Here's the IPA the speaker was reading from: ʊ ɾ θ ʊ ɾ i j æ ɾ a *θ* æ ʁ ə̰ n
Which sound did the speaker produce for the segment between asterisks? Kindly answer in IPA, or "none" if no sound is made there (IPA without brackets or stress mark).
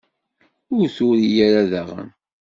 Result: ð